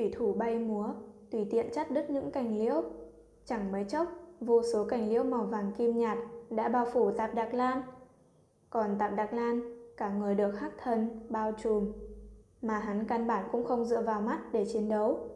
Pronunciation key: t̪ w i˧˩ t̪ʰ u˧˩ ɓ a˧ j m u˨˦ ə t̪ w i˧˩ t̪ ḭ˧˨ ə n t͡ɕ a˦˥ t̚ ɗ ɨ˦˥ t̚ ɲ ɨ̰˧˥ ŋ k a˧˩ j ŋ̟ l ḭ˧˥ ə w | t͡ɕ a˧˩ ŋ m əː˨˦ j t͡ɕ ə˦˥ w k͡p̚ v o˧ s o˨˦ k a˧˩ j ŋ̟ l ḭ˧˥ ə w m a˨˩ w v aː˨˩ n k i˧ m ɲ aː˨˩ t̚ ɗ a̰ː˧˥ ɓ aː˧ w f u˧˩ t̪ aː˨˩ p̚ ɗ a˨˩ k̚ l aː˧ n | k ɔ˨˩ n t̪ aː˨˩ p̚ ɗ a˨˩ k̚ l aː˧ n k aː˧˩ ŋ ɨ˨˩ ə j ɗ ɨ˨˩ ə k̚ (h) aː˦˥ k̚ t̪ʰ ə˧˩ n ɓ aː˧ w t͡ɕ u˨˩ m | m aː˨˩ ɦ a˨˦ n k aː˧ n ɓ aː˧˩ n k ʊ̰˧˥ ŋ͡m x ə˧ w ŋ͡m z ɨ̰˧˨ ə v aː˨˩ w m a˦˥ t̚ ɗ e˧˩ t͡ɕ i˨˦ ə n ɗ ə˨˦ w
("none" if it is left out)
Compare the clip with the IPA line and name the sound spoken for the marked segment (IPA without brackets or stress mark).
h